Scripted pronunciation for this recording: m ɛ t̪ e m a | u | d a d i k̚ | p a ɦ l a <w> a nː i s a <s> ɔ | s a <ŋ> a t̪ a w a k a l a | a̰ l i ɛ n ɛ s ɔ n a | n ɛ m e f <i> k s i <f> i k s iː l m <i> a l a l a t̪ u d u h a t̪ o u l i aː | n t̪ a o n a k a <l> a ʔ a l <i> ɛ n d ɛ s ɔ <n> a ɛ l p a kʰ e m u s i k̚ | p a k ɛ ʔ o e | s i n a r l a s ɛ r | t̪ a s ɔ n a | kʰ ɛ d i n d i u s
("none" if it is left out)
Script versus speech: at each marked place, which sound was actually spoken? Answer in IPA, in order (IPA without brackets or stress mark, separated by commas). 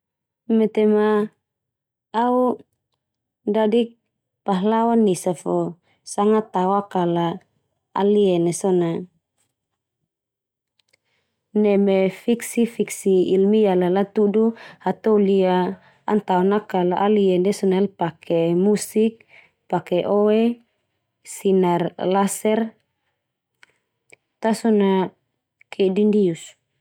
w, f, ŋ, i, f, i, l, i, n